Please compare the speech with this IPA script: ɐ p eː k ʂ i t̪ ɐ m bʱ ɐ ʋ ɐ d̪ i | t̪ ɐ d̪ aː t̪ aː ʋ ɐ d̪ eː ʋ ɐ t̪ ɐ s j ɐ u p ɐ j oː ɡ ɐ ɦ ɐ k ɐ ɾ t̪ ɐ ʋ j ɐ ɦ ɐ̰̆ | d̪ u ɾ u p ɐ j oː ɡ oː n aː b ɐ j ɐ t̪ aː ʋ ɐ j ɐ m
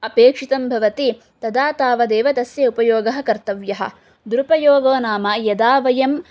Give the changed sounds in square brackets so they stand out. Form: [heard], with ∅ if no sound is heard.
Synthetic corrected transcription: ɐ p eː k ʂ i t̪ ɐ m bʱ ɐ ʋ ɐ [t̪] i | t̪ ɐ d̪ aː t̪ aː ʋ ɐ d̪ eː ʋ ɐ t̪ ɐ s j ɐ u p ɐ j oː ɡ ɐ ɦ ɐ k ɐ ɾ t̪ ɐ ʋ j ɐ ɦ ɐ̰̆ | d̪ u ɾ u p ɐ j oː ɡ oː n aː [m] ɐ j ɐ [d̪] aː ʋ ɐ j ɐ m

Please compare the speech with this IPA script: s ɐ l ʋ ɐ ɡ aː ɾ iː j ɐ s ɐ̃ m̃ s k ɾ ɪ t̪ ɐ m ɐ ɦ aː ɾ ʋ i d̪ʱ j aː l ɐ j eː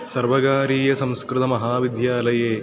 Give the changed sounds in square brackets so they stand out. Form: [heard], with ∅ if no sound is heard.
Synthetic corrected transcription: s ɐ [ɾ] ʋ ɐ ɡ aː ɾ iː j ɐ s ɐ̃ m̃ s k ɾ ɪ t̪ ɐ m ɐ ɦ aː [∅] ʋ i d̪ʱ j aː l ɐ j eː

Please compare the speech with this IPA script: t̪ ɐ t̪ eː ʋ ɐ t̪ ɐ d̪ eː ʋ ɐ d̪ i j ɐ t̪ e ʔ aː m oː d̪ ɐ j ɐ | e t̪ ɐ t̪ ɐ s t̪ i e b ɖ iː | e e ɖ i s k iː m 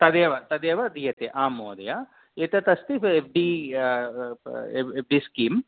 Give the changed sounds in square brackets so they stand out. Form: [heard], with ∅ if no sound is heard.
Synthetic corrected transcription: t̪ ɐ [d̪] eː ʋ ɐ t̪ ɐ d̪ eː ʋ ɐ d̪ i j ɐ t̪ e ʔ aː m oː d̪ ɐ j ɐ | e t̪ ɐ t̪ ɐ s t̪ i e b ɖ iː | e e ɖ i s k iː m

